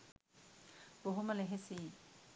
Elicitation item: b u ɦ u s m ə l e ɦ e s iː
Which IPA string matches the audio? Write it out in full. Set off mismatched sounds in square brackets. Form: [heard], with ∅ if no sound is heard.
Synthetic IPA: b [o] ɦ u [∅] m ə l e ɦ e s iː